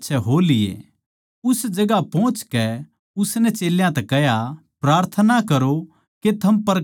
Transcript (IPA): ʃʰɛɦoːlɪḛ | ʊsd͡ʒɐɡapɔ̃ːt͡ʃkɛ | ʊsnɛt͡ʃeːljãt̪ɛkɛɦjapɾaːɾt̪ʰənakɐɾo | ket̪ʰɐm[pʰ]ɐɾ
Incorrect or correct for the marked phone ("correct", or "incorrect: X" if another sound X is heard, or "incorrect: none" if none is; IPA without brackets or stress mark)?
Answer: incorrect: p